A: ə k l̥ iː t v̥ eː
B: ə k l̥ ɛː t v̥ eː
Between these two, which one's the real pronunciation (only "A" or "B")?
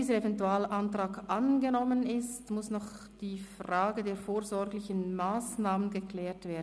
B